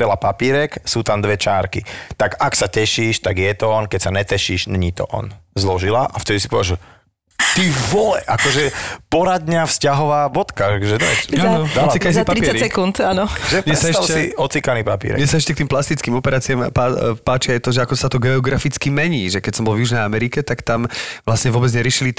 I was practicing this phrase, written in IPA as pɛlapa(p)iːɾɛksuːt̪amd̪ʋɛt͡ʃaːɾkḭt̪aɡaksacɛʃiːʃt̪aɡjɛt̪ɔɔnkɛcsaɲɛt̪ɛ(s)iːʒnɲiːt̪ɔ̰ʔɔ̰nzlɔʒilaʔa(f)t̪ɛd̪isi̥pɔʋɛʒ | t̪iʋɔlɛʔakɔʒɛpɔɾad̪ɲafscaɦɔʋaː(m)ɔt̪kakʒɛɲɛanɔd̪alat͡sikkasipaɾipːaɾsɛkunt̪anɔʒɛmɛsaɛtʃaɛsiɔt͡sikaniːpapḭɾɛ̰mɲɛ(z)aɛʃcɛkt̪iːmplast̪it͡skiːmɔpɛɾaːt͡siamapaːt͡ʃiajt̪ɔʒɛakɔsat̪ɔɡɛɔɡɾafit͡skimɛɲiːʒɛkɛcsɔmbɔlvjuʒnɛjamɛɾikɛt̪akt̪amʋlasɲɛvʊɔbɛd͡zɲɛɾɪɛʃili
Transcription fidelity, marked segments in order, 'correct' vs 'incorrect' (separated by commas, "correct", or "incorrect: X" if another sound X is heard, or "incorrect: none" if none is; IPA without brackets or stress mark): correct, incorrect: ʃ, correct, incorrect: b, incorrect: s